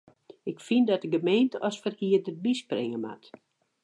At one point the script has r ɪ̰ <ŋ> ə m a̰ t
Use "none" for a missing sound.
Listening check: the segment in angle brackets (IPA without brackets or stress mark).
ŋ